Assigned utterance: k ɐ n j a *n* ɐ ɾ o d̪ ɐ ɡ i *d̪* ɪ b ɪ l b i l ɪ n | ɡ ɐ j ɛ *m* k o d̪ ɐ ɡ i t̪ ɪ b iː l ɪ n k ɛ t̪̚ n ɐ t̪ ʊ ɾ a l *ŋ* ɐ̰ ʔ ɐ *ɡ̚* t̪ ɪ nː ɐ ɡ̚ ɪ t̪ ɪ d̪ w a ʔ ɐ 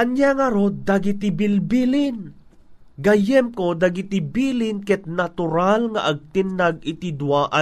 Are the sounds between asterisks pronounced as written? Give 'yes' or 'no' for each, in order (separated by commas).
no, no, yes, yes, yes